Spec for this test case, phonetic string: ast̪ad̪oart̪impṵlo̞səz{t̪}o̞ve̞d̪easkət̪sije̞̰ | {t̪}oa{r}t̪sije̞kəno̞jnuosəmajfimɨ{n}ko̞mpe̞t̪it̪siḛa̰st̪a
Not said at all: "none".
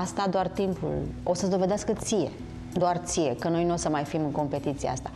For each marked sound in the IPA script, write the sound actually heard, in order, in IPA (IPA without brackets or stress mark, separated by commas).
d̪, d̪, r, ŋ